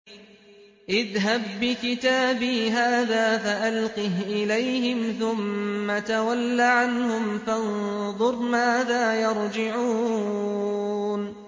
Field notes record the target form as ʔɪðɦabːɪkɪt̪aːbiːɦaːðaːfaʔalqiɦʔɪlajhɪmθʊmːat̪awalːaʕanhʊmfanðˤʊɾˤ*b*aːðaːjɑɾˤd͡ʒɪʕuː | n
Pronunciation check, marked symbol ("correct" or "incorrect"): incorrect